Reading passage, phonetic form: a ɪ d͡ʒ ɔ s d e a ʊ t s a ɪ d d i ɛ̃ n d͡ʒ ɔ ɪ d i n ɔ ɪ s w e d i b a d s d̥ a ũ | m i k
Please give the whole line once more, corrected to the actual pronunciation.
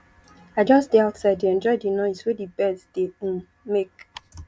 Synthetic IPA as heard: a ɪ d͡ʒ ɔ s d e a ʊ t s a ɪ d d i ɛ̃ n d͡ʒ ɔ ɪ d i n ɔ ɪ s w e d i b ɛ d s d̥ e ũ | m e k